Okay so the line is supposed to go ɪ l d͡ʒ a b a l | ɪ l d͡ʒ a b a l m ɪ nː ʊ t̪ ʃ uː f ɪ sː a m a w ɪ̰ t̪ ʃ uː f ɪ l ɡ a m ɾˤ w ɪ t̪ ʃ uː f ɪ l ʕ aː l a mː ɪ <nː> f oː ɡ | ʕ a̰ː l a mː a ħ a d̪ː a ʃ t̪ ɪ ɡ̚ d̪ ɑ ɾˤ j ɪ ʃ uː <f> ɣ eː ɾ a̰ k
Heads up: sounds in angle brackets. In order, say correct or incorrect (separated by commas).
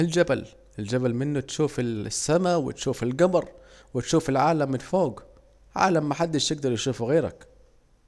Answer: incorrect, correct